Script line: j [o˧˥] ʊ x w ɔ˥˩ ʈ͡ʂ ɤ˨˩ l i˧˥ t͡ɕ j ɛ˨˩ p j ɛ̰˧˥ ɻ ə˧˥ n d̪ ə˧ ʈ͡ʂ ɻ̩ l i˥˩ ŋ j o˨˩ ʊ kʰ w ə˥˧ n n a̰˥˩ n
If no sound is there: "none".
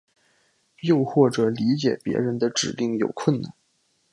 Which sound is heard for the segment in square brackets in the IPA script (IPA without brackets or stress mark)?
o˥˧